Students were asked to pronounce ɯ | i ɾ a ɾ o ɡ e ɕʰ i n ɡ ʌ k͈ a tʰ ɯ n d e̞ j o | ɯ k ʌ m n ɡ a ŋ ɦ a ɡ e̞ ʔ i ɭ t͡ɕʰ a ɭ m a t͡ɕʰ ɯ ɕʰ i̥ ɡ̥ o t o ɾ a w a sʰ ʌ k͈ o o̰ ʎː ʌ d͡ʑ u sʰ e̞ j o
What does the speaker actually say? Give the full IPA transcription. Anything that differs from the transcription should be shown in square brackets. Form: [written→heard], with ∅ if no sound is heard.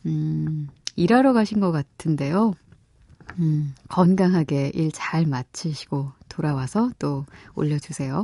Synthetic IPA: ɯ | i ɾ a ɾ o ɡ [e→a] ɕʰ i n ɡ ʌ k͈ a tʰ ɯ n d e̞ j o | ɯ k ʌ [m→∅] n ɡ a ŋ ɦ a ɡ e̞ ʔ i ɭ [t͡ɕʰ→t͡ɕ] a ɭ m a t͡ɕʰ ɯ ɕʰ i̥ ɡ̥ o t o ɾ a w a sʰ ʌ [k͈→t͈] o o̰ ʎː ʌ d͡ʑ u sʰ e̞ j o